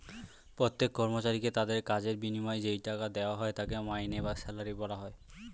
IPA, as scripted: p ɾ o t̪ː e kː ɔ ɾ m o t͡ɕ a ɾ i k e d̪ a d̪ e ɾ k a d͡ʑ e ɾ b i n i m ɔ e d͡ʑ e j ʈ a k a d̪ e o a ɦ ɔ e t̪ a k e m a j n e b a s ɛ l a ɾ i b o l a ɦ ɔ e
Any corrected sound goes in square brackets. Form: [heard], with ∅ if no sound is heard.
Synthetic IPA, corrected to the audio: p ɾ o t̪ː e kː ɔ ɾ m o t͡ɕ a ɾ i k e [t̪] a d̪ e ɾ k a d͡ʑ e ɾ b i n i m ɔ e d͡ʑ e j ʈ a k a d̪ e o a ɦ ɔ e t̪ a k e m a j n e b a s ɛ l a ɾ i b [ɔ] l a ɦ ɔ e

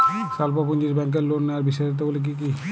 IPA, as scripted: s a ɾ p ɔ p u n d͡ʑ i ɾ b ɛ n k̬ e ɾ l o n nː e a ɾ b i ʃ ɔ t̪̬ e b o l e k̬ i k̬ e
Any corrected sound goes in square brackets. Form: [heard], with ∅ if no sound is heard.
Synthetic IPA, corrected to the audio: s a [l] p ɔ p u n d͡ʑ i ɾ b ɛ [ŋ] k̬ e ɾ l o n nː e a ɾ b i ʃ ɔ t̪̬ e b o l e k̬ i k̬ [i]

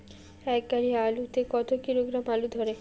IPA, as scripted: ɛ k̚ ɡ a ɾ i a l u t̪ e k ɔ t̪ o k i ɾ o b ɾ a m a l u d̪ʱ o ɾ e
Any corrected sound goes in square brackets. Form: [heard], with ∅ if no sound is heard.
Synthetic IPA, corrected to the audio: ɛ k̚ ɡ a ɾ i a l u t̪ e k ɔ t̪ o k i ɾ o [ɡ] ɾ a m a l u d̪ʱ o ɾ e

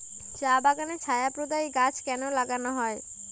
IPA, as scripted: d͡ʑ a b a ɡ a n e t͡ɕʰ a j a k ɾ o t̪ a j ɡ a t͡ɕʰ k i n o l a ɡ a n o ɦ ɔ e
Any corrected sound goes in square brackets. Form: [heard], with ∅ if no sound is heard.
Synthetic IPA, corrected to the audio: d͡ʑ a b a ɡ a n e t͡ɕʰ a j a [p] ɾ o [d̪] a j ɡ a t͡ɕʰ k [ɛ] n o l a ɡ a n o ɦ ɔ e

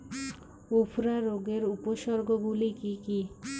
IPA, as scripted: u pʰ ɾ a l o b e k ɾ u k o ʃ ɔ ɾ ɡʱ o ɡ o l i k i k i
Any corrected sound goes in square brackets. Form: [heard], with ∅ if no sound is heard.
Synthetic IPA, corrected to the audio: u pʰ ɾ a [ɾ] o [ɡ] e [∅] ɾ u [p] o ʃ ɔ ɾ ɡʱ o ɡ [u] l i k i k i

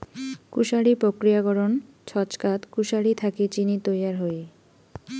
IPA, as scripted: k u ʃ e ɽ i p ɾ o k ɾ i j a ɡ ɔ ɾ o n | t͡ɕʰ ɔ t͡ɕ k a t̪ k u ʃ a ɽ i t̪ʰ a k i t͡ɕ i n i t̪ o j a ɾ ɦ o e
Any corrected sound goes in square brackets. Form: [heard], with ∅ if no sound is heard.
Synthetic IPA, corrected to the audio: k u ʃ [a] ɽ i p ɾ o k ɾ i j a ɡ ɔ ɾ o n | t͡ɕʰ ɔ t͡ɕ k a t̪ k u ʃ a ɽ i t̪ʰ a k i t͡ɕ i n i t̪ o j a ɾ ɦ o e

